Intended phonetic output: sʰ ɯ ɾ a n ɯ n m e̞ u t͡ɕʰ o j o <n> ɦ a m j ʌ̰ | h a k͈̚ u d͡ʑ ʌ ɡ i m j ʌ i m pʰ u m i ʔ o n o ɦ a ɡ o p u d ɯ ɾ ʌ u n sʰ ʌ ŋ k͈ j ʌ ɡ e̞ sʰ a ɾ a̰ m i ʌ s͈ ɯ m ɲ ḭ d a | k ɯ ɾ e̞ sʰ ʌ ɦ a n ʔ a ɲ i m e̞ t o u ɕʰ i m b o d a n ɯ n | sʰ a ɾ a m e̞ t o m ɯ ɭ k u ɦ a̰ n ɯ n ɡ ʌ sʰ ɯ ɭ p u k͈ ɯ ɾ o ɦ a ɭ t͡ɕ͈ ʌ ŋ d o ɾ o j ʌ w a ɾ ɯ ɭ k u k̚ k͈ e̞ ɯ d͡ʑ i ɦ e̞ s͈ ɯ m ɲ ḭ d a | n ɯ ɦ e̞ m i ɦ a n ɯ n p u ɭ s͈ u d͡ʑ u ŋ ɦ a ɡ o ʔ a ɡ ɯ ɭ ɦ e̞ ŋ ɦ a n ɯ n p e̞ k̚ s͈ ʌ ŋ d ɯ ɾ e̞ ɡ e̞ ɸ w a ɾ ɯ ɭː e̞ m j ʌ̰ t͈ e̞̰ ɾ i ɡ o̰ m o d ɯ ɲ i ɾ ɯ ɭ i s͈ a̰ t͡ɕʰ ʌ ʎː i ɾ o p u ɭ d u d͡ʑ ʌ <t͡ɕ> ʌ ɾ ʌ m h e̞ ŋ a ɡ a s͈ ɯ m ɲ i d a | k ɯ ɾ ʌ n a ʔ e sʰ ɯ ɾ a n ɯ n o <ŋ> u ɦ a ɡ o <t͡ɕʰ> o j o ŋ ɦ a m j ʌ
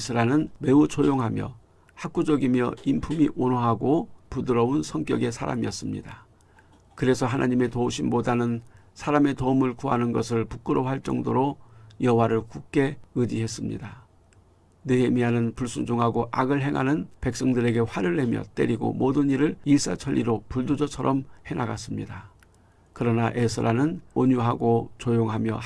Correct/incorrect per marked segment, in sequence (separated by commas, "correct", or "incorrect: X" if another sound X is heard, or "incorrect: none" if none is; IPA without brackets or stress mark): incorrect: ŋ, incorrect: t͡ɕʰ, incorrect: ɲ, incorrect: t͡ɕ